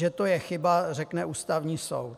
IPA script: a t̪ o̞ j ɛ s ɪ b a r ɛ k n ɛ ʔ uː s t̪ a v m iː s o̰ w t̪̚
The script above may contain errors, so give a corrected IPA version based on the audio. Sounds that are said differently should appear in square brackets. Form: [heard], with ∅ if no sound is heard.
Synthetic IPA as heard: [ɛ] t̪ o̞ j ɛ [x] ɪ b a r ɛ k n ɛ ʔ uː s t̪ a v [ɲ] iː s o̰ w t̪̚